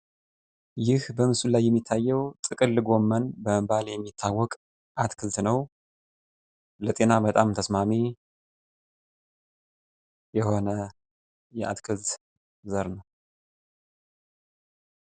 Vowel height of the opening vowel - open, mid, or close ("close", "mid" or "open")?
close